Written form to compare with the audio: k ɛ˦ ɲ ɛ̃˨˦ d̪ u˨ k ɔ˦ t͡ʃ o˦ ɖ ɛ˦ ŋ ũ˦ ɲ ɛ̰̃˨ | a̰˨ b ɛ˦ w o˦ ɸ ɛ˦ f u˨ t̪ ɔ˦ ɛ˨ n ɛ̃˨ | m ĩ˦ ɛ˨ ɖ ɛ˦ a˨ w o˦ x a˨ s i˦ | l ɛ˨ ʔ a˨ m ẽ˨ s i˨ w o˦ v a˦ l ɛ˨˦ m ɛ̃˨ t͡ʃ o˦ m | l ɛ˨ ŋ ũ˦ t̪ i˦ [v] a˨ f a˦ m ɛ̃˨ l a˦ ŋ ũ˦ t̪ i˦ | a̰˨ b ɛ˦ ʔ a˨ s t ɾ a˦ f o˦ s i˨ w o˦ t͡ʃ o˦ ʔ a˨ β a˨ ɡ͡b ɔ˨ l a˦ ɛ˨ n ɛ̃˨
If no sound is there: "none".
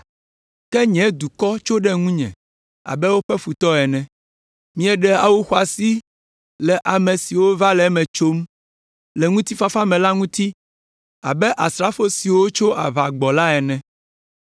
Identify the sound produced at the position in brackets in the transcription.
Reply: f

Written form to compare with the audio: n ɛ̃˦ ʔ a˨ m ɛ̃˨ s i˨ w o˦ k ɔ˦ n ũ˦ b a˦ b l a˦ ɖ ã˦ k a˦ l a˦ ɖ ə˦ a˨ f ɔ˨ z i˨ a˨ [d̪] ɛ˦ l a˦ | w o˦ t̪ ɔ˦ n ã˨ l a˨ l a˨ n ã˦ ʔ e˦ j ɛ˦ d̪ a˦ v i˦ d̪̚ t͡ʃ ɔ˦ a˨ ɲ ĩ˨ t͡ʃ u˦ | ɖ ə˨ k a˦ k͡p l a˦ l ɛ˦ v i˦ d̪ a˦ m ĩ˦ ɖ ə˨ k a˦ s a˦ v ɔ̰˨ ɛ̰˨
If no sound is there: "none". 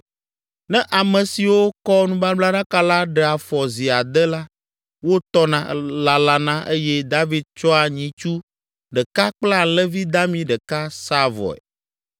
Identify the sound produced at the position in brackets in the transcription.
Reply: d̪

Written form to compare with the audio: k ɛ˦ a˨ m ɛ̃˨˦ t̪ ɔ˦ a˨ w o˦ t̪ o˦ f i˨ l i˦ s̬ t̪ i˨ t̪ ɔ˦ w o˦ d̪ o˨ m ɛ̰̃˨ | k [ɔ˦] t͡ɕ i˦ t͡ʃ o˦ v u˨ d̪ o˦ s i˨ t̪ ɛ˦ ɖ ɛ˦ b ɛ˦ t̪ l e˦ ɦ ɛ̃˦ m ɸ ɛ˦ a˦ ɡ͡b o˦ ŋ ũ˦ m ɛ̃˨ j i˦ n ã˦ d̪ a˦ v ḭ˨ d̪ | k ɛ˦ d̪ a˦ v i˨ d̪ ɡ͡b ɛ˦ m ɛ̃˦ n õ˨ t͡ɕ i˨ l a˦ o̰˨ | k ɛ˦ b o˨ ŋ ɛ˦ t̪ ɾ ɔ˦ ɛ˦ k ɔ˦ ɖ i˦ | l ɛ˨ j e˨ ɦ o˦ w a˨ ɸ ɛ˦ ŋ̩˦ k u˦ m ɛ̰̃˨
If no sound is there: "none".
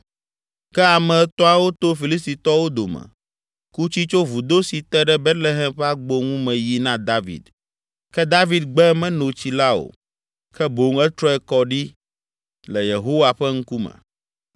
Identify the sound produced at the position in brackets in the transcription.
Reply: u˦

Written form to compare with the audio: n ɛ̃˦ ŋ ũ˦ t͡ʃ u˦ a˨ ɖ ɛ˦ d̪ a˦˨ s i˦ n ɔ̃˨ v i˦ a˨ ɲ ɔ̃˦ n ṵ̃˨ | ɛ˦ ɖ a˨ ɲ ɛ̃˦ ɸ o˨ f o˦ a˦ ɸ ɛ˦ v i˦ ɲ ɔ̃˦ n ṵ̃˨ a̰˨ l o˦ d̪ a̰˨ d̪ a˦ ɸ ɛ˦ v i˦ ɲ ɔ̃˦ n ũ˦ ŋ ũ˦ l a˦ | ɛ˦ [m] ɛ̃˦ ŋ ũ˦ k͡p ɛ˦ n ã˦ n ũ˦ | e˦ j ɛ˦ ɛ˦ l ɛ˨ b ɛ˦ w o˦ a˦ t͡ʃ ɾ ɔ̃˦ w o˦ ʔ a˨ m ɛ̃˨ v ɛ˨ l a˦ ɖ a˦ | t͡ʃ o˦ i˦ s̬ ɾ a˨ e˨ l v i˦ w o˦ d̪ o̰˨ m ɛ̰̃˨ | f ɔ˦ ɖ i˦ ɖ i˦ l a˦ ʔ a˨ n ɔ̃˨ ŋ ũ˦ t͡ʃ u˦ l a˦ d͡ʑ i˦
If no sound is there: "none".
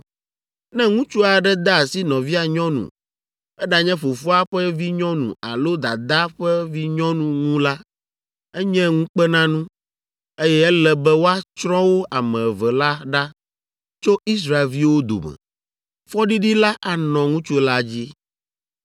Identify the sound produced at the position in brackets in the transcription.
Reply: ɲ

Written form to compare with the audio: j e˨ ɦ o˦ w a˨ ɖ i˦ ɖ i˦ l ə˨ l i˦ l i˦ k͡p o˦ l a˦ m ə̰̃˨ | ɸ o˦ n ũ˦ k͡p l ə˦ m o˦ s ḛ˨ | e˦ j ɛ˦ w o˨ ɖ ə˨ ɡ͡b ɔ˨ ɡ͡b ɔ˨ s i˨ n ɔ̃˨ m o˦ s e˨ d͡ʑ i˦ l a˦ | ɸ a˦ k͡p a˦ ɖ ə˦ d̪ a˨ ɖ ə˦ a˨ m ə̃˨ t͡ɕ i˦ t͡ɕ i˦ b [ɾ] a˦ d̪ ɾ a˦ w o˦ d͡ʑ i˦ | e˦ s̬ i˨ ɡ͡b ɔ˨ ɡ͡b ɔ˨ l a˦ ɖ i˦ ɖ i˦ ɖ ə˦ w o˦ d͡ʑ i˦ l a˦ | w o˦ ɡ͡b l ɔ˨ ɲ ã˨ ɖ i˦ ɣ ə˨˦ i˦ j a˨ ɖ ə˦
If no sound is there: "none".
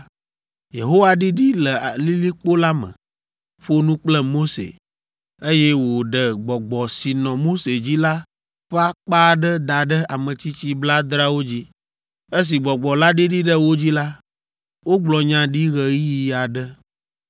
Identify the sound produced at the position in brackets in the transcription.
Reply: l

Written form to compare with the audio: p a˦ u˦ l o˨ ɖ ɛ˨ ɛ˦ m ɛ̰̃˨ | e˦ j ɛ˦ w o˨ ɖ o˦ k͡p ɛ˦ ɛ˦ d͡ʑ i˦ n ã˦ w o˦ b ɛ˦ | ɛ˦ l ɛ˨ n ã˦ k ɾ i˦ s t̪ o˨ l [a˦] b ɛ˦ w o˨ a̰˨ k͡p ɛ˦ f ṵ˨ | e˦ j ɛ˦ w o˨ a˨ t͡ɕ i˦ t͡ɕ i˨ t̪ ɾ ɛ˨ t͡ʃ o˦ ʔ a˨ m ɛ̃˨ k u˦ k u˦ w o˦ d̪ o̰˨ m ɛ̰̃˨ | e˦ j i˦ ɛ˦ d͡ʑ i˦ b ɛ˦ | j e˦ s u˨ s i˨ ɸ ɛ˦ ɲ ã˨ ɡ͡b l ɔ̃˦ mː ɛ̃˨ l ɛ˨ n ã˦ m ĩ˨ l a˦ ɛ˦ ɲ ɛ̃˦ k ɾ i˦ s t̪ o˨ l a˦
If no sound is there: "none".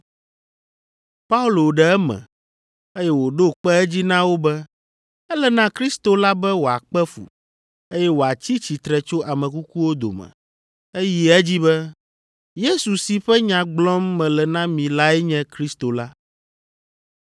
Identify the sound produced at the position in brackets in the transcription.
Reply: a˦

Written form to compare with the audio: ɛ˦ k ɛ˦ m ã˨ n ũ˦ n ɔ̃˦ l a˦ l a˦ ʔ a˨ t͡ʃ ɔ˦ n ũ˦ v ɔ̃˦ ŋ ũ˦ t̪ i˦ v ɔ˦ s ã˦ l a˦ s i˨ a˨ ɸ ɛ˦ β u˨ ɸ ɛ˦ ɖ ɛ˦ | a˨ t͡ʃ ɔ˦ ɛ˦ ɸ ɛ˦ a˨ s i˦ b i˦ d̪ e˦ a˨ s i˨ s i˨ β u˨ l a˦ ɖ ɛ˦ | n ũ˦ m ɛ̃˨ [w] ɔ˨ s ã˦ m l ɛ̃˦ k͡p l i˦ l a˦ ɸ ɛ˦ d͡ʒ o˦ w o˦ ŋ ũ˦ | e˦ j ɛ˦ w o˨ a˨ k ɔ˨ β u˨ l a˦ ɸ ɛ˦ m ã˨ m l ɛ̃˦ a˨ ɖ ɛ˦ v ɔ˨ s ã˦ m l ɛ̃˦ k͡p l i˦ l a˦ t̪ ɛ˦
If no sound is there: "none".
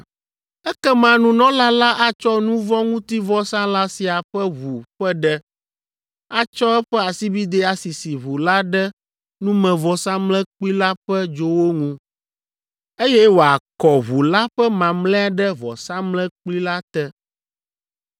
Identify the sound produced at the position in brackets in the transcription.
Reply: v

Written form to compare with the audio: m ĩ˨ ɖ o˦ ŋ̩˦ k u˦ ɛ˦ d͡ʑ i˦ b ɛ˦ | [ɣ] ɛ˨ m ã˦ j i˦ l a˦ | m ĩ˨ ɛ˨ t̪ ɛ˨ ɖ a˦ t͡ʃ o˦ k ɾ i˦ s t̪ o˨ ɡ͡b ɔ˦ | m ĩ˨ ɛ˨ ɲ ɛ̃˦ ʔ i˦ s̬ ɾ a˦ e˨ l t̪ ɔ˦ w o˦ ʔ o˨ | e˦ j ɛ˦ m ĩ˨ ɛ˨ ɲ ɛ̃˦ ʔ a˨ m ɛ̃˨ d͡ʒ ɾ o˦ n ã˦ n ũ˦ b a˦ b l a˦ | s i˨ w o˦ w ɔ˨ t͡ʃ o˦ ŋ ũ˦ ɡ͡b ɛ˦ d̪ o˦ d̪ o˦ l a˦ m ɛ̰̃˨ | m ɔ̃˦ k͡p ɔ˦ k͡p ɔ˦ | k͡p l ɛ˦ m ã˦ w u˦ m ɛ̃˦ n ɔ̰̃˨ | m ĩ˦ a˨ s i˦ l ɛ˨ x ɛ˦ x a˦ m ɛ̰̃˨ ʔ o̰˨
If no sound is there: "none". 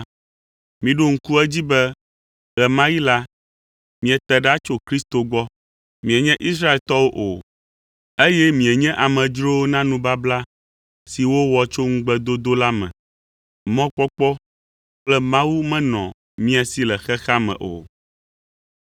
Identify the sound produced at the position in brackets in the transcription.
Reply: ɣ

